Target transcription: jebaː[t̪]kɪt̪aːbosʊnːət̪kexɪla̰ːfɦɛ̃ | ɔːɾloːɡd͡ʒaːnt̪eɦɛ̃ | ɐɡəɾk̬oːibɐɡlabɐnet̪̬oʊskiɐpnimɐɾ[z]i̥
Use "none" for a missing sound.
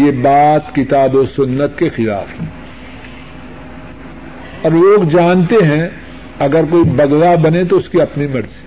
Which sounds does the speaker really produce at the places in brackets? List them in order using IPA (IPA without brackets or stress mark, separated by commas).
t̪, z